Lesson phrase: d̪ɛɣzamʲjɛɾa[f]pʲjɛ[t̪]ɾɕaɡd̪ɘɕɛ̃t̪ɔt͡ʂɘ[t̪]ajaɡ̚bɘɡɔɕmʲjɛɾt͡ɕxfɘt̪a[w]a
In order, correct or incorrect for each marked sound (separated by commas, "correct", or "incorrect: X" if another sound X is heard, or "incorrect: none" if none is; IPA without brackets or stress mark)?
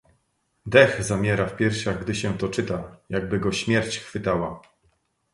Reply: correct, incorrect: none, correct, correct